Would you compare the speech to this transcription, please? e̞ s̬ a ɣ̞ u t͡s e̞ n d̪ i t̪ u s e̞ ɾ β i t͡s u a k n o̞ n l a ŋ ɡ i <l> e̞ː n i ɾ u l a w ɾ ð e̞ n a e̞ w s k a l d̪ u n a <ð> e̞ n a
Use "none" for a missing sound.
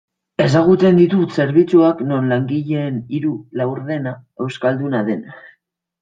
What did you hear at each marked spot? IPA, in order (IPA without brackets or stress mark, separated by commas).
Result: ʎ, ð